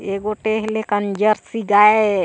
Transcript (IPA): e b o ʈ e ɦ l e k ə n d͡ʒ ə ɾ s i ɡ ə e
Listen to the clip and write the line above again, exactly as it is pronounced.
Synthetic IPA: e ɡ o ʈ e ɦ l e k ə n d͡ʒ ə ɾ s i ɡ a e